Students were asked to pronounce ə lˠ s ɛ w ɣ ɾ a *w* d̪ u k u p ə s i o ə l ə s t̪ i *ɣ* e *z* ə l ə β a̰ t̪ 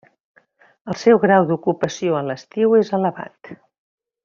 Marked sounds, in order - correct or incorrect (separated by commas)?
correct, incorrect, correct